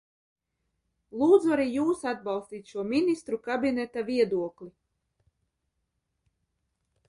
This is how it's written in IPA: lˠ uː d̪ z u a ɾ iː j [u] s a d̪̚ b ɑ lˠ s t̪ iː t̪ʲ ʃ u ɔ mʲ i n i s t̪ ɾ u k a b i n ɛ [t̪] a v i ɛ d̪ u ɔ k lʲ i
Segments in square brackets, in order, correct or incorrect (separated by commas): incorrect, correct